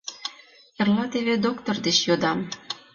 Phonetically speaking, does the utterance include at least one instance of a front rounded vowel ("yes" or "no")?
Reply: no